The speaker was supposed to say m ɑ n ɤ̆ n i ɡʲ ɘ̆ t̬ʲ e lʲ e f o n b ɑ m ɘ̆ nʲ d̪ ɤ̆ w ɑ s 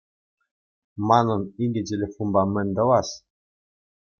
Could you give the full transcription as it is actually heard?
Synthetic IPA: m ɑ n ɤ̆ n i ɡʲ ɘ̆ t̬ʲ e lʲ e f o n b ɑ m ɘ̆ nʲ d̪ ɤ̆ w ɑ s